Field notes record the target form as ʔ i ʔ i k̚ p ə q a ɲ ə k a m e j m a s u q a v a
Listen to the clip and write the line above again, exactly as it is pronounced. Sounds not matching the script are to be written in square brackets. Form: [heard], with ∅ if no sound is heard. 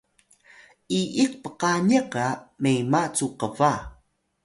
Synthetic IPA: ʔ i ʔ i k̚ p ə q a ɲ ə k a m e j m a [t͡s] u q [ə] v a